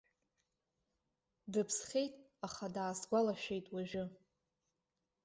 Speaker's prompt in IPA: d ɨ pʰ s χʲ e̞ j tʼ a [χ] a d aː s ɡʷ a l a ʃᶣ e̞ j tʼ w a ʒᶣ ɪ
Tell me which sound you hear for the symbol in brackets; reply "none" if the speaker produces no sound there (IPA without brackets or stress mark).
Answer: χ